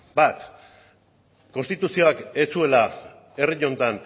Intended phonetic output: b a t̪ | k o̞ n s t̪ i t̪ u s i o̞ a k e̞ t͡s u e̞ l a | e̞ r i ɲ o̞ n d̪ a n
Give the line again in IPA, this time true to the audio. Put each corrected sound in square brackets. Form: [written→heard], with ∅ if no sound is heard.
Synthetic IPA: b a t̪ | k o̞ n s t̪ i t̪ u s i o̞ a k e̞ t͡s u e̞ l a | e̞ r i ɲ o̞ n [d̪→t̪] a n